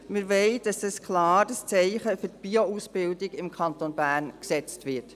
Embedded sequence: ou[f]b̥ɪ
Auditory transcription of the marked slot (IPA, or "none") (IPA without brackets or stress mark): s